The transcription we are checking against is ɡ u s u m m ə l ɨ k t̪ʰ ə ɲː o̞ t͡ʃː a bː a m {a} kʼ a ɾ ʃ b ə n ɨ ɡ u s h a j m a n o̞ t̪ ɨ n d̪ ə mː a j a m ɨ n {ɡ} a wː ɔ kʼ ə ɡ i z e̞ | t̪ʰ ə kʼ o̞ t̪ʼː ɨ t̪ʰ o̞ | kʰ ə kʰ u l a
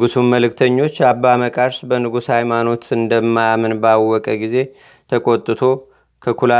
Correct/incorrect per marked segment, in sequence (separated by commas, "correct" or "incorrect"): incorrect, incorrect